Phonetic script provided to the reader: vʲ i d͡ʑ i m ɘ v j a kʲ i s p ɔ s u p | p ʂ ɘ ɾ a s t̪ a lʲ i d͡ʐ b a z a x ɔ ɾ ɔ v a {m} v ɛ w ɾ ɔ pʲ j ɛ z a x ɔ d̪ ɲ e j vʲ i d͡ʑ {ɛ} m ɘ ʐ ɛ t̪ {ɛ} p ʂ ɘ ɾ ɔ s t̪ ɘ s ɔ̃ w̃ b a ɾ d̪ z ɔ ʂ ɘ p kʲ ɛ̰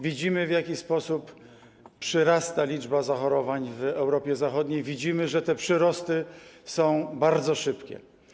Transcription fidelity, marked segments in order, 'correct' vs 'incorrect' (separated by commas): incorrect, incorrect, correct